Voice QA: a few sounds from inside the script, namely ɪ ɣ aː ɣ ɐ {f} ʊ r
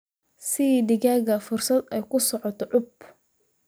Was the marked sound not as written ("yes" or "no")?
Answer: no